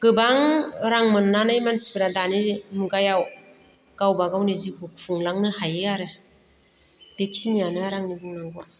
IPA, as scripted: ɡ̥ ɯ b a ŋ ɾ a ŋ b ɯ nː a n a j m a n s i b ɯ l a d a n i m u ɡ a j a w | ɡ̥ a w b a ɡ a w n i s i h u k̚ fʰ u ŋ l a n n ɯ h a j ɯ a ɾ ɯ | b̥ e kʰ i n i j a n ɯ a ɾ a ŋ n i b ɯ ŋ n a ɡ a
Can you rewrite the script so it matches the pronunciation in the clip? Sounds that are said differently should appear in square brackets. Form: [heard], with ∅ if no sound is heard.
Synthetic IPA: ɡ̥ ɯ b a ŋ ɾ a ŋ [m] ɯ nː a n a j m a n s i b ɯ [ɾ] a d a n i m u ɡ a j a w | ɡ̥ a w b a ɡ a w n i [z] i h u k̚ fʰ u ŋ l a [ŋ] n ɯ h a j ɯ a ɾ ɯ | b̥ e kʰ i n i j a n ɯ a ɾ a ŋ n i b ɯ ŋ n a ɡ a